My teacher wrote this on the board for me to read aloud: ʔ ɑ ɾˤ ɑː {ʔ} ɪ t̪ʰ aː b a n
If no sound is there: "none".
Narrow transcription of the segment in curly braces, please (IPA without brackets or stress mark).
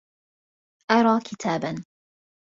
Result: k